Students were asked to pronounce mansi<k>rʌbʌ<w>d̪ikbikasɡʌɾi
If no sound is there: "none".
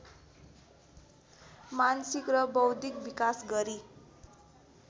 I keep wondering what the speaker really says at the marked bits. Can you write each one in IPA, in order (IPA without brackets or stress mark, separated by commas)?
k, w